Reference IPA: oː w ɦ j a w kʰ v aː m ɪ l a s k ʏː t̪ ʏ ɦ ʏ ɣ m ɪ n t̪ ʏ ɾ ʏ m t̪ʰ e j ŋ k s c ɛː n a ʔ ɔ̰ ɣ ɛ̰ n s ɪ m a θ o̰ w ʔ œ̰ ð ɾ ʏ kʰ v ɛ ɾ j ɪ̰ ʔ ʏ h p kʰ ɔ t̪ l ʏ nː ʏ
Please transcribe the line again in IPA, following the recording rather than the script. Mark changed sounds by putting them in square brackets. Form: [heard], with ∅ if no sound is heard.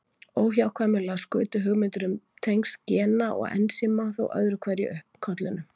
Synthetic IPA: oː w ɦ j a w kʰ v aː m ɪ l a s k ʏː t̪ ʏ ɦ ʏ ɣ m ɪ n t̪ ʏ ɾ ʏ m t̪ʰ e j ŋ k s c ɛː n a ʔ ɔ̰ ɣ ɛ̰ n s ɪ m a θ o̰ w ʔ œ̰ ð ɾ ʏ kʰ v ɛ ɾ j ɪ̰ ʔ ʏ h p kʰ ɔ t̪ l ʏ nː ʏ